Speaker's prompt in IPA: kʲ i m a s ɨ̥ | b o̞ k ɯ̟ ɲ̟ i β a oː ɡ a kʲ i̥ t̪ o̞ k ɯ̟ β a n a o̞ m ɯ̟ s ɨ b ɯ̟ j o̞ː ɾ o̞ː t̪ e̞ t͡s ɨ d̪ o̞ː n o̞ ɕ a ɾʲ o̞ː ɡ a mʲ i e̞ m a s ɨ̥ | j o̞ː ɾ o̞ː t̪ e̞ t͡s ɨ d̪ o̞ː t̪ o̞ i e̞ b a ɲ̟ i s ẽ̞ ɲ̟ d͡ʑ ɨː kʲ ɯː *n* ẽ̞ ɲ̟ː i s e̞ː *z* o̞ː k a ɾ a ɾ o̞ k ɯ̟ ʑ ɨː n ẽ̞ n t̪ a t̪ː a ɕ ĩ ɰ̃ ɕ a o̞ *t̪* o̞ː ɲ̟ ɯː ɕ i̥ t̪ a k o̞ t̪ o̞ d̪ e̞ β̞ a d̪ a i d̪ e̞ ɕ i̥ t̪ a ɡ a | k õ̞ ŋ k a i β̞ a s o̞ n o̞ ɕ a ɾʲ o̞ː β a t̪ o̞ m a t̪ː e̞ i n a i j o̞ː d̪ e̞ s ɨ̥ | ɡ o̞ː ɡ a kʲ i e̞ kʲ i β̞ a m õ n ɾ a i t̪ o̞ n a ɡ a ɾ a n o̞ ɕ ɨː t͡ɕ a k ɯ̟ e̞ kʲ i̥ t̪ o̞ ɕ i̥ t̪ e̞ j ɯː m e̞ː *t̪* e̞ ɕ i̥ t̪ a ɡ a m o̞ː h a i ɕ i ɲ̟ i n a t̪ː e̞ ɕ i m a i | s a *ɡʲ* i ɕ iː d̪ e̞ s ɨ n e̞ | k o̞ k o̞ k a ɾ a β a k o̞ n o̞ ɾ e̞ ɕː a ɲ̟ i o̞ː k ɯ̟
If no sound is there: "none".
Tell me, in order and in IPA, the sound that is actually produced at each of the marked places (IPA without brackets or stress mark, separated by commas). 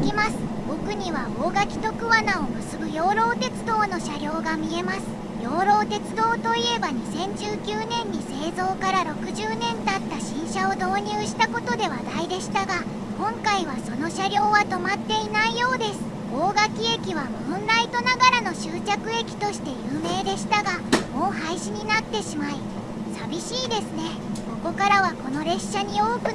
n, z, d̪, d̪, bʲ